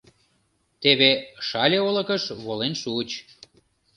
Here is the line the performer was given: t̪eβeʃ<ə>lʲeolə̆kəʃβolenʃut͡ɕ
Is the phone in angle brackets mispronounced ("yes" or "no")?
yes